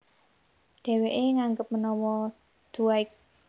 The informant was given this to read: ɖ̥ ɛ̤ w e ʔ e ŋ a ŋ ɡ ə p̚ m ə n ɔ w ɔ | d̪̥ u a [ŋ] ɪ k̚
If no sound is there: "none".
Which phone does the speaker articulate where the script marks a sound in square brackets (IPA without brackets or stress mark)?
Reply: none